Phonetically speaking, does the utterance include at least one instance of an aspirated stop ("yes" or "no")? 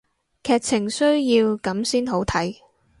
yes